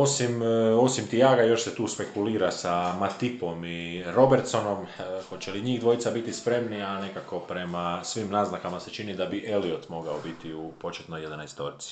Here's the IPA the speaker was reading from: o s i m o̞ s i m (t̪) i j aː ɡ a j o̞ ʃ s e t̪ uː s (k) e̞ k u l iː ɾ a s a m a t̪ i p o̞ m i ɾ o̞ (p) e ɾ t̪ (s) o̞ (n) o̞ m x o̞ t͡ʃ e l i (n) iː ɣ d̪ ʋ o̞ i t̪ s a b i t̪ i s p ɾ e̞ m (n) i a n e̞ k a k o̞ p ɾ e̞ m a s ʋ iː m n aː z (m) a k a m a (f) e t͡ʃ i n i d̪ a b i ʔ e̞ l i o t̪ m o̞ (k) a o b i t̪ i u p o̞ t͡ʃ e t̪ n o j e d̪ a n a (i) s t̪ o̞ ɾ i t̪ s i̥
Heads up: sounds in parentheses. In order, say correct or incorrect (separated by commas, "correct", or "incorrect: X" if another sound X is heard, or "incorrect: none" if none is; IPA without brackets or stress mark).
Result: correct, incorrect: p, incorrect: b, correct, correct, incorrect: ɲ, correct, incorrect: n, incorrect: s, incorrect: ɡ, incorrect: j